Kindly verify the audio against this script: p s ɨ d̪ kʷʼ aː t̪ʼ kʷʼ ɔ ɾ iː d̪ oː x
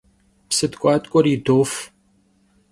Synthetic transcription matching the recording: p s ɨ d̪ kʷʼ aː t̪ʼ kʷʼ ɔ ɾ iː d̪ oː f